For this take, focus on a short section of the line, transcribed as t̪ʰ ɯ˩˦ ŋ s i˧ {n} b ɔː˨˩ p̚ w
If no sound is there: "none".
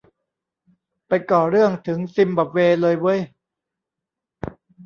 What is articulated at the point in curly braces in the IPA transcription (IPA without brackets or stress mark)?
m